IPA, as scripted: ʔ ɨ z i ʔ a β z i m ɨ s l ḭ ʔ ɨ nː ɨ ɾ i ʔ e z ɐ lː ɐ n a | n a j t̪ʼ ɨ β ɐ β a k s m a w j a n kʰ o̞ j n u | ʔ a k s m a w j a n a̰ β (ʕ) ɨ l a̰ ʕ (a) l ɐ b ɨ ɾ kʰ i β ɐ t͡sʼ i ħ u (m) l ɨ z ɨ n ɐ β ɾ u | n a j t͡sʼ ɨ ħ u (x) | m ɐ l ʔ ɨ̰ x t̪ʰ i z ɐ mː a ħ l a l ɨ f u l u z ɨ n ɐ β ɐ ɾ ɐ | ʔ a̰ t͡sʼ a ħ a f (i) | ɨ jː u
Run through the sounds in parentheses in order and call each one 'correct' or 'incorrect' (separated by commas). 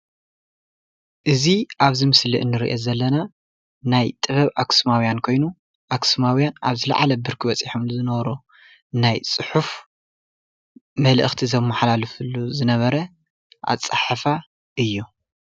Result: incorrect, correct, correct, incorrect, incorrect